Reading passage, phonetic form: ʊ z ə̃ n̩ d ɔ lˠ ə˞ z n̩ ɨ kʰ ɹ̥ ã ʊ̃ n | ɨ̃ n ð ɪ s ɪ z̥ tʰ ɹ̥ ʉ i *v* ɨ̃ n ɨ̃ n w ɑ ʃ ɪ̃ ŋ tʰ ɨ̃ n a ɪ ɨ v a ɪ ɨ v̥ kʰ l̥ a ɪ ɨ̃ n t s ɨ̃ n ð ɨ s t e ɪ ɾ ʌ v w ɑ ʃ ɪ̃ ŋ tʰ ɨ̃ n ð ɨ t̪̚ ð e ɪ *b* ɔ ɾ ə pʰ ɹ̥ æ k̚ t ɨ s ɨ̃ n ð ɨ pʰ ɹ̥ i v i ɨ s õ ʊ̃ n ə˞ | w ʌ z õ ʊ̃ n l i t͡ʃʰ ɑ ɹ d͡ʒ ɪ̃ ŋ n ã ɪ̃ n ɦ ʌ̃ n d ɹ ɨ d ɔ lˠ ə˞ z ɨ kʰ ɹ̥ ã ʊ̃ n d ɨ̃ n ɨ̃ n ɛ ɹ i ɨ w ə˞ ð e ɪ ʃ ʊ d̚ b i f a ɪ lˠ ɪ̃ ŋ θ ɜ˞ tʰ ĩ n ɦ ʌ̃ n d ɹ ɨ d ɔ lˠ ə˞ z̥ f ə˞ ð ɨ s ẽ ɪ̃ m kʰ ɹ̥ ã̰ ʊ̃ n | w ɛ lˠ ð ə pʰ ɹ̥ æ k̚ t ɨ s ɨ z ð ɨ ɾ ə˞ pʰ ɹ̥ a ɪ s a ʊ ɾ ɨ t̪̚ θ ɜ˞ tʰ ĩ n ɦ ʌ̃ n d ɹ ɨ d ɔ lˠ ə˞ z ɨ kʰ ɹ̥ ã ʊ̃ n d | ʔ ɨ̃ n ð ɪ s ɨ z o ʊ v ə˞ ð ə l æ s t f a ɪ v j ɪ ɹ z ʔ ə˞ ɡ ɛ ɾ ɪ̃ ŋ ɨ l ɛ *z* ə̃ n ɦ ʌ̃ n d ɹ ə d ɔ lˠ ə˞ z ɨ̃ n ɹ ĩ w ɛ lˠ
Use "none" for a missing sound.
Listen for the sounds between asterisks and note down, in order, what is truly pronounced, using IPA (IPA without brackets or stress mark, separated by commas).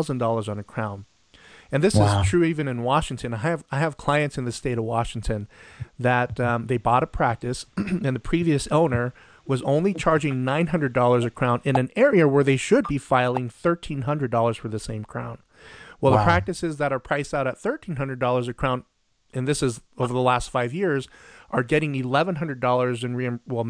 v, b, v